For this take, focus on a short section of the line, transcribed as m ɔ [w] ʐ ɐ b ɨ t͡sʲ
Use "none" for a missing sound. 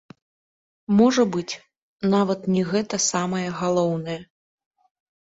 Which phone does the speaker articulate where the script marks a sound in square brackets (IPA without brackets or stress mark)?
none